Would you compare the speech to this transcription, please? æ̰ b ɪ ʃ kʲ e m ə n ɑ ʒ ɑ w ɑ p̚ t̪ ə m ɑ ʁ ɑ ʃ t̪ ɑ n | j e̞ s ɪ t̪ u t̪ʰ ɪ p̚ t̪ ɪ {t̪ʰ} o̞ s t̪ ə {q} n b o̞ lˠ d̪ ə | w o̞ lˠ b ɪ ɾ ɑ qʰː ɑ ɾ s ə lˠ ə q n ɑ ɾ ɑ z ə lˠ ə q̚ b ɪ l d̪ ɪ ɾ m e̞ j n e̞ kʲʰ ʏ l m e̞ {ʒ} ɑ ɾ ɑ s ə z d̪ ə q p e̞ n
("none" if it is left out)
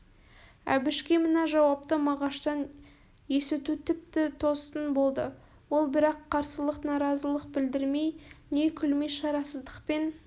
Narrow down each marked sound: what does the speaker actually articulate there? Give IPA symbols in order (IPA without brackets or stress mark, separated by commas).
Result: t̪ʰ, none, ʃ